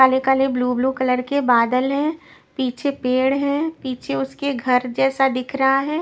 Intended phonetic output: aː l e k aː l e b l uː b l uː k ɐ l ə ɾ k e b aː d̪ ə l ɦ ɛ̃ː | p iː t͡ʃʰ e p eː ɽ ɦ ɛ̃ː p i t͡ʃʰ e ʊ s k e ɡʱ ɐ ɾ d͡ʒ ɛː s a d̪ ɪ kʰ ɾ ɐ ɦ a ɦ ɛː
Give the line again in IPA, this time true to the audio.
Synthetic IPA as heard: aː l e k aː l e b l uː b l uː k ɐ l ə ɾ k e b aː d̪ ə l ɦ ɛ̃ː | p iː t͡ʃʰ e p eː ɽ ɦ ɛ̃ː p iː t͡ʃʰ e ʊ s k e ɡʱ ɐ ɾ d͡ʒ ɛː s a d̪ ɪ kʰ ɾ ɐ ɦ a ɦ ɛː